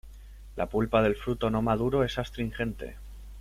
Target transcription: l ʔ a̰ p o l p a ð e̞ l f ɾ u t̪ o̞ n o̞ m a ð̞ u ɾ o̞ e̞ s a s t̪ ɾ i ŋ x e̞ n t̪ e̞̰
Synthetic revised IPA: l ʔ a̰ p u l p a ð e̞ l f ɾ u t̪ o̞ n o̞ m a ð̞ u ɾ o̞ e̞ s a s t̪ ɾ i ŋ x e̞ n t̪ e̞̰